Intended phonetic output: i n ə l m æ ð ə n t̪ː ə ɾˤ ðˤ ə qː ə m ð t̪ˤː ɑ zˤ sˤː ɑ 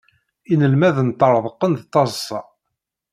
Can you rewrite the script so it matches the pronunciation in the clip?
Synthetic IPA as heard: i n ə l m æ ð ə n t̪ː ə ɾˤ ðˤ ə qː ə n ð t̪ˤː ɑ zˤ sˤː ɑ